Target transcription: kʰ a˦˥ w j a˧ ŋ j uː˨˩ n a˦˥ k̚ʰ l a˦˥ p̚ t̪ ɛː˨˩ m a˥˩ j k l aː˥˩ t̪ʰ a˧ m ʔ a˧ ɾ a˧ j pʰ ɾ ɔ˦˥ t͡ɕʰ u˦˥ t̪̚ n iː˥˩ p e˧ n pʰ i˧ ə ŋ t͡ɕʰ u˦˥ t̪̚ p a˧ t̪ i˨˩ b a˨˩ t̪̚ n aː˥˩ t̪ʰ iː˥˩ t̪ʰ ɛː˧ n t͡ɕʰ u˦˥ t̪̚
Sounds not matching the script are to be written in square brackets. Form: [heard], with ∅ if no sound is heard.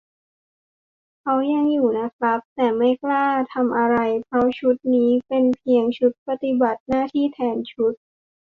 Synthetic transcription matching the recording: kʰ a˦˥ w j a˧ ŋ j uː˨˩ n a˦˥ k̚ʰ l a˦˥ p̚ t̪ ɛː˨˩ m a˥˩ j k l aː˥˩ t̪ʰ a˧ m ʔ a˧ ɾ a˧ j pʰ ɾ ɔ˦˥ t͡ɕʰ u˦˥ t̪̚ n [iː˦˥] p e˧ n pʰ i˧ ə ŋ t͡ɕʰ u˦˥ t̪̚ p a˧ t̪ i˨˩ b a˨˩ t̪̚ n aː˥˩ t̪ʰ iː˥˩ t̪ʰ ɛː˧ n t͡ɕʰ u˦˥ t̪̚